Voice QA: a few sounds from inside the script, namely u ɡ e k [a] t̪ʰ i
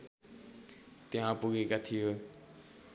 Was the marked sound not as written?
no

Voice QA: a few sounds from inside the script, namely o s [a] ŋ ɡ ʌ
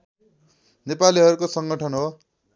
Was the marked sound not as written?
yes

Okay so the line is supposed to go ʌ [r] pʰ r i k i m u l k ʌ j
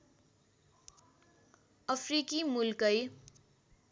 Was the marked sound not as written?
yes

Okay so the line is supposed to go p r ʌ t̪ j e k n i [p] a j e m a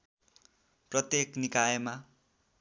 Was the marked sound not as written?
yes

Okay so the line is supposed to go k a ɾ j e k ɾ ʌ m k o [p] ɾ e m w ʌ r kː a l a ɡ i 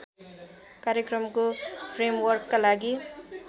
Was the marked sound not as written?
yes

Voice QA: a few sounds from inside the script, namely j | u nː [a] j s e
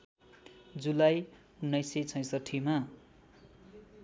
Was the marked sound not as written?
yes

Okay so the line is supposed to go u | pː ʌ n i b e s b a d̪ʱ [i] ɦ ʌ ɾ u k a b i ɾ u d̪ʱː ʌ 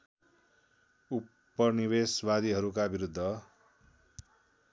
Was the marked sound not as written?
no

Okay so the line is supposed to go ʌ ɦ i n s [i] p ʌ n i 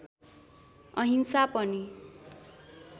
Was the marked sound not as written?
yes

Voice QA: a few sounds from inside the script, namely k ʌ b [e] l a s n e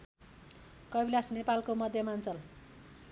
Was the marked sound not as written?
yes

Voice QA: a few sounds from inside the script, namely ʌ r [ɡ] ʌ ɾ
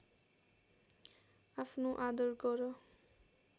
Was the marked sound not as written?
no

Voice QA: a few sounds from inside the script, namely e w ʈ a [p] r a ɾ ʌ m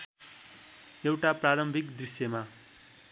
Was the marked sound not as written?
no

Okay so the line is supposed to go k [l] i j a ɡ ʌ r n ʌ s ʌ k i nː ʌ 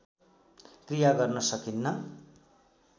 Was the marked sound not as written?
yes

